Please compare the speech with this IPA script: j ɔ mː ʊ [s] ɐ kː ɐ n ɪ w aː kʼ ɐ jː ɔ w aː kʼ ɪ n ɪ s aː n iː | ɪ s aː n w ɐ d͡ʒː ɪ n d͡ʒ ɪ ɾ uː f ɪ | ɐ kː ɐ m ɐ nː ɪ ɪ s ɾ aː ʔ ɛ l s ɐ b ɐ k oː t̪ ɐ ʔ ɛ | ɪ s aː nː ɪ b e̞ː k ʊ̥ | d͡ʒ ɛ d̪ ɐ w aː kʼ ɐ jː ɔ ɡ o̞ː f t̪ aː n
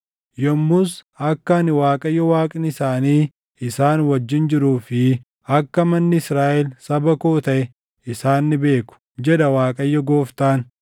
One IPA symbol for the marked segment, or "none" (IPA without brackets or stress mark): s